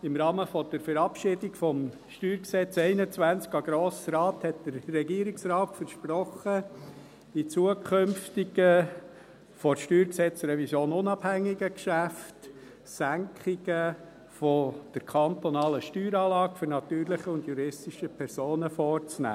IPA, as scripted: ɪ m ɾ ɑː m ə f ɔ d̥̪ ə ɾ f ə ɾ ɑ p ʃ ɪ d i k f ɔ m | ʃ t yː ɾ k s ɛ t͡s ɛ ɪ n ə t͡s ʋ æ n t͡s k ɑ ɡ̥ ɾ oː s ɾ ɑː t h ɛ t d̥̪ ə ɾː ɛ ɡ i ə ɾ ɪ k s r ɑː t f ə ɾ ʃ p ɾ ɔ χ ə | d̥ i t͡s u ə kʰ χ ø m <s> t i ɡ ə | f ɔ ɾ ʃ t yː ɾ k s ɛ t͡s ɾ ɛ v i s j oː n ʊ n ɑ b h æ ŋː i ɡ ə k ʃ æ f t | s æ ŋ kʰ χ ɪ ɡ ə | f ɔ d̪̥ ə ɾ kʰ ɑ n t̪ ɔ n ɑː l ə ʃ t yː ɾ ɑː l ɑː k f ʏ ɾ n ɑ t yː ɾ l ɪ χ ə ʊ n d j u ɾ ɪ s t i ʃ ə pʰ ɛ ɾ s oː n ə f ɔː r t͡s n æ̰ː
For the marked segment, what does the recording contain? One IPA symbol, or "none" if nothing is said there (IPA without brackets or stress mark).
f